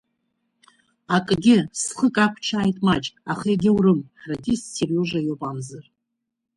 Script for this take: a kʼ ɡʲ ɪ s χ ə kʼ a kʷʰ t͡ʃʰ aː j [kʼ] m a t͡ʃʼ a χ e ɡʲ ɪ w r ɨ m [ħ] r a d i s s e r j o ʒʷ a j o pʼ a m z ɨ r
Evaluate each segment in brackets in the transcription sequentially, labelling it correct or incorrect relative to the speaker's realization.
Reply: incorrect: tʼ, correct

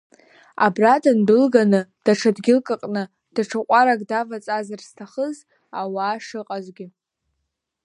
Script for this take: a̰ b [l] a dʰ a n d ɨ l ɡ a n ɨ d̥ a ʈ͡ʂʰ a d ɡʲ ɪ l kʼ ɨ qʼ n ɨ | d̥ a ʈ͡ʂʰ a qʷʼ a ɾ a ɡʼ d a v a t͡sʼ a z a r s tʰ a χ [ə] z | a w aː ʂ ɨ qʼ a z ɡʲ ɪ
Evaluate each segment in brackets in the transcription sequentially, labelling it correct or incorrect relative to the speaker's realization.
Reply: incorrect: r, correct

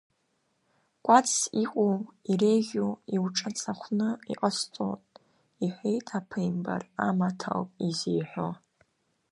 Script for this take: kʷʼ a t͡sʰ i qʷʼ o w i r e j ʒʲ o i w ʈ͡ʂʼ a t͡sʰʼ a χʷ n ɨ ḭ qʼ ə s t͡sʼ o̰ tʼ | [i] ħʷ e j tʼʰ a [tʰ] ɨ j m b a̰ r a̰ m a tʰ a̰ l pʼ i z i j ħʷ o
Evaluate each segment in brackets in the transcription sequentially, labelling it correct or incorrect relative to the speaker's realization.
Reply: correct, incorrect: pʰ

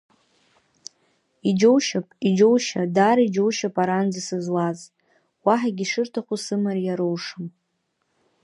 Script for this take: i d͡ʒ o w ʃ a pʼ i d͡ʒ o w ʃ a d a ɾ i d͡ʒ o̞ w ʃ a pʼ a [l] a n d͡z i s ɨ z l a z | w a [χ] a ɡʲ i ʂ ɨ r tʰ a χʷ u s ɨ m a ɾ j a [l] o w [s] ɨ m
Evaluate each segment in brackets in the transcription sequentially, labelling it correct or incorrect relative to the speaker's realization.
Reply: incorrect: ɾ, incorrect: ħ, incorrect: ɾ, incorrect: ʂ

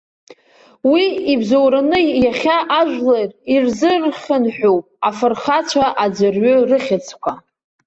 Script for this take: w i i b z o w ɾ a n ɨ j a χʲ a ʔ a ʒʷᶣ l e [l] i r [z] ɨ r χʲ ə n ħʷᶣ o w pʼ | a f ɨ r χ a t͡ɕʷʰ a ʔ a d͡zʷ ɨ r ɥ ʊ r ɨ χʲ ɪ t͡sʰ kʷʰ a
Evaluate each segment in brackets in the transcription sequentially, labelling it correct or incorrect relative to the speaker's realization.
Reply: incorrect: r, correct

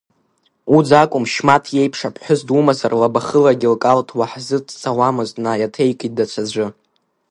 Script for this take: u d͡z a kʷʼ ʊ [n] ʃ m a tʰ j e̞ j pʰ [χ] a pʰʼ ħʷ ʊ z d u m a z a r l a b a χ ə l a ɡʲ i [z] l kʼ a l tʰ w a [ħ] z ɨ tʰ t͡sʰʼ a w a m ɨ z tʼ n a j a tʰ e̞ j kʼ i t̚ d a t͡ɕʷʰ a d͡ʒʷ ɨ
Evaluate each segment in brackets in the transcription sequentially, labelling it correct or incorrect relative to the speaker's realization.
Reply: incorrect: m, incorrect: ʂ, incorrect: none, correct

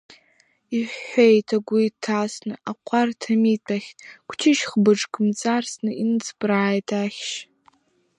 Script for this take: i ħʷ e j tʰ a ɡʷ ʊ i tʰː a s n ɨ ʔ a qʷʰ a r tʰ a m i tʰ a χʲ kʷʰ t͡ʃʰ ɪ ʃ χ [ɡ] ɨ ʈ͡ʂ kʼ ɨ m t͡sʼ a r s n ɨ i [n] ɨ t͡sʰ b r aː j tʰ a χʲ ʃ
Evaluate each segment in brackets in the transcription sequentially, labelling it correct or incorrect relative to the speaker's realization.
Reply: incorrect: b, correct

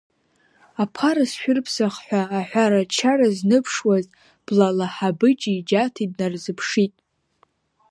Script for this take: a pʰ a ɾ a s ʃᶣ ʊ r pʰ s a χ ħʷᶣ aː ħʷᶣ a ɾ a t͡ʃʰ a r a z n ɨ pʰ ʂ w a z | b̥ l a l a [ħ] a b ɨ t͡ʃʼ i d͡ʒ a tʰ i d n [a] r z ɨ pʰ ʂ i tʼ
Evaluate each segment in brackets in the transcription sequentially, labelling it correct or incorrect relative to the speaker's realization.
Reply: correct, correct

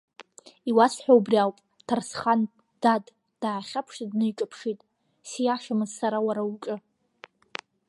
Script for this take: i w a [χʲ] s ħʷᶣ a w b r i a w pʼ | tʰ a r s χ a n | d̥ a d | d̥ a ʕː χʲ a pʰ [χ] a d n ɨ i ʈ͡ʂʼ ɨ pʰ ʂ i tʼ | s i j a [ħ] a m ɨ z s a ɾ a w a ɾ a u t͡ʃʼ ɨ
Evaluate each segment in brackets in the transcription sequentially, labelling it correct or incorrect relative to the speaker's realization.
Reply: incorrect: none, incorrect: ʂ, incorrect: ʂ

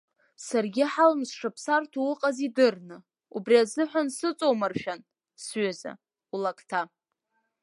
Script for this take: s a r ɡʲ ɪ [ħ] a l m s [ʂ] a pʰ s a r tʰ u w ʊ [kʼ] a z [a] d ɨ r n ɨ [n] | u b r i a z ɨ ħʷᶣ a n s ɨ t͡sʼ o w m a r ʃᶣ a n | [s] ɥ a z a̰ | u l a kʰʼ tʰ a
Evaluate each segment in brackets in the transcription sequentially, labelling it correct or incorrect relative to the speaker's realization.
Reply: correct, correct, incorrect: qʼ, incorrect: i, incorrect: none, correct

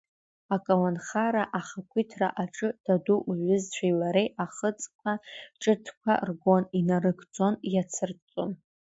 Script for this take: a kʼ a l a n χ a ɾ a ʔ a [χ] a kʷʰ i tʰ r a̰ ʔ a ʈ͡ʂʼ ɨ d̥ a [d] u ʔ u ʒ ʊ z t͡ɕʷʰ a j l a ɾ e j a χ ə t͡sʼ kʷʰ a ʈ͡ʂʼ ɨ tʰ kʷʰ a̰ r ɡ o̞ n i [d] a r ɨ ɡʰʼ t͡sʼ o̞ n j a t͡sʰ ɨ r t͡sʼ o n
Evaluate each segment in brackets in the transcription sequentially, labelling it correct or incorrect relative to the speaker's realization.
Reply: correct, correct, incorrect: n

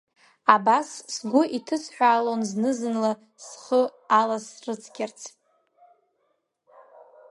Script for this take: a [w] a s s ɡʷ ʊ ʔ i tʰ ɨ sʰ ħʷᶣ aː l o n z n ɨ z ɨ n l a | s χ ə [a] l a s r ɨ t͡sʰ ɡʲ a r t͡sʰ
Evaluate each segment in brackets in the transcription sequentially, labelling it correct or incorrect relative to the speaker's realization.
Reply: incorrect: b, correct

